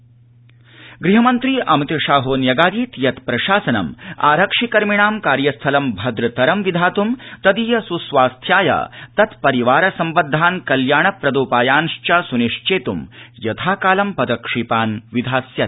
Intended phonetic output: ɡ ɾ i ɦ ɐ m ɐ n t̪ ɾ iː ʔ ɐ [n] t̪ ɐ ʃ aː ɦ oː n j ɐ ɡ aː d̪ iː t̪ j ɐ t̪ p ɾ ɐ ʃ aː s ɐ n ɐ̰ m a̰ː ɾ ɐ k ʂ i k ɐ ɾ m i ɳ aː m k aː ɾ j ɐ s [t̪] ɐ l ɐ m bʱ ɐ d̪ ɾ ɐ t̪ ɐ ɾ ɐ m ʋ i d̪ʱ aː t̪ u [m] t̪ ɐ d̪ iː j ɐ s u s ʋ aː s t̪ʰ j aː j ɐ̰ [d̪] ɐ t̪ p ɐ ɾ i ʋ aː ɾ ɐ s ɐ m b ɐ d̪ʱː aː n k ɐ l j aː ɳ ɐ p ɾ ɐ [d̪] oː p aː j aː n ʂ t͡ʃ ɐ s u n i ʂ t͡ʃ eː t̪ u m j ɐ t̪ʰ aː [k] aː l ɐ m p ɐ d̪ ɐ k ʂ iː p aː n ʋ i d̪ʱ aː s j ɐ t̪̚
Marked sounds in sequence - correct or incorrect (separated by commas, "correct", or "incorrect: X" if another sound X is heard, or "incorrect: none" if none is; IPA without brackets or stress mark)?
incorrect: m, incorrect: t̪ʰ, correct, incorrect: t̪, correct, correct